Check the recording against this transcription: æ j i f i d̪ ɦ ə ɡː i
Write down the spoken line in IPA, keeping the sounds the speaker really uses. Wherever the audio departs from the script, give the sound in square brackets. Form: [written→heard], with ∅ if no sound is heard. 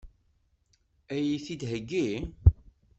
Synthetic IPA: æ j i [f→θ] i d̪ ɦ ə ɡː i